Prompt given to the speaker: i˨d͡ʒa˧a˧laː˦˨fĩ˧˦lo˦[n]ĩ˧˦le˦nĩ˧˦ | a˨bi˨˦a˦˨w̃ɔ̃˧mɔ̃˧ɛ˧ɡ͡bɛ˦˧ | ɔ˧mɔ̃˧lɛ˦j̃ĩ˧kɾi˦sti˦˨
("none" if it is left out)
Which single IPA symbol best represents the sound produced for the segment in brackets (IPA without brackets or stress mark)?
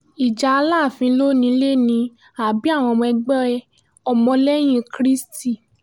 n